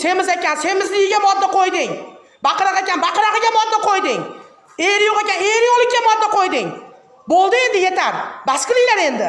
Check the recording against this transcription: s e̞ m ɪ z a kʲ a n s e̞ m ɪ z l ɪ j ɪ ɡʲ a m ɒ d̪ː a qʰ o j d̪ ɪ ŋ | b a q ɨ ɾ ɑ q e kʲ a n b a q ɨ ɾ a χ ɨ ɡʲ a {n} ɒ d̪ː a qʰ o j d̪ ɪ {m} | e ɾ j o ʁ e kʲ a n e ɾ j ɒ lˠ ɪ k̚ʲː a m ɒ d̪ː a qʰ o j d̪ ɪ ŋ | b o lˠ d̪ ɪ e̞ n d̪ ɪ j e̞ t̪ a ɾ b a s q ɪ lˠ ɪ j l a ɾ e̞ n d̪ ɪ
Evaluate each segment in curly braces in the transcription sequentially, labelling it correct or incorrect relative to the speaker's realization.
incorrect: m, incorrect: ŋ

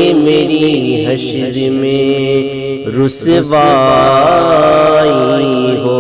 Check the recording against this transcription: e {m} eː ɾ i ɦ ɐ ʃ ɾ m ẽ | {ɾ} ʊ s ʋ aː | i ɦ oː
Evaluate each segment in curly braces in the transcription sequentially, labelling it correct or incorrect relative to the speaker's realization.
correct, correct

